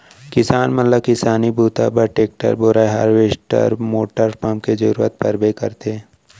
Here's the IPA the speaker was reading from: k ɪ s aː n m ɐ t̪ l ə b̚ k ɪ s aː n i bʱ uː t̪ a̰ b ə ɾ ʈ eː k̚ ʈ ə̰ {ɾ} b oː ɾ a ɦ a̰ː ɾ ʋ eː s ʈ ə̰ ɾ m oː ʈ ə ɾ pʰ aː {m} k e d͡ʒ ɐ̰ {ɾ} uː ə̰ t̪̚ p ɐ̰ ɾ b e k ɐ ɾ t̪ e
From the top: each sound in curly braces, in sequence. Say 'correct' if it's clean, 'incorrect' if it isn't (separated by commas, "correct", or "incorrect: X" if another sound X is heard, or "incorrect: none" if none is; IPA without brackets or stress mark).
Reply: correct, correct, correct